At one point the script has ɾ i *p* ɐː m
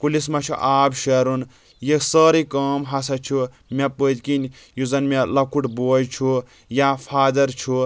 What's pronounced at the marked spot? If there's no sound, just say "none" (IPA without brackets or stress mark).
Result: k